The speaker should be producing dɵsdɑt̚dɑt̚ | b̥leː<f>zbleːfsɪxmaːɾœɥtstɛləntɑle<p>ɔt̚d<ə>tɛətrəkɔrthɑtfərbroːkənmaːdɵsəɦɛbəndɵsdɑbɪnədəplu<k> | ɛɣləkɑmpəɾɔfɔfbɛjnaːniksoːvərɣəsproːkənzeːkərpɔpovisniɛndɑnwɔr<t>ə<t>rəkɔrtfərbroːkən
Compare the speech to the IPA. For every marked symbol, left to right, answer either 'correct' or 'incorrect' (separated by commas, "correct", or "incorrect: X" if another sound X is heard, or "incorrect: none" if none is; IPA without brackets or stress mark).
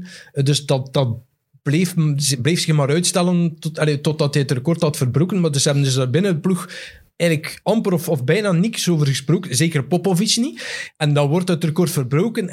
correct, incorrect: t, incorrect: ɑ, incorrect: x, correct, correct